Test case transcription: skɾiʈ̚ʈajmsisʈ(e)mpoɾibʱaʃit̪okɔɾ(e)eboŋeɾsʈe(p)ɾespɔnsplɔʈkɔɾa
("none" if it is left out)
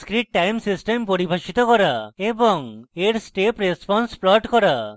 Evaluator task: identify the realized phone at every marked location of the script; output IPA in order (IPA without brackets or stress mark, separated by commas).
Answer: e, a, p